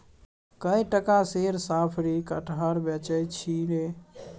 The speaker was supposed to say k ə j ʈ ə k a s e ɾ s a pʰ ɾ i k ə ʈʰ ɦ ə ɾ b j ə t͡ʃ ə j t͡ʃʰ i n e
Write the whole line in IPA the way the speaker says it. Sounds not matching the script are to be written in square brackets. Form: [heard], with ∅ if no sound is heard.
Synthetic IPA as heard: k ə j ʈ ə k a s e ɾ s a pʰ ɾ i k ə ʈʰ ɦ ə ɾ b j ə t͡ʃ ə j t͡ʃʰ i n e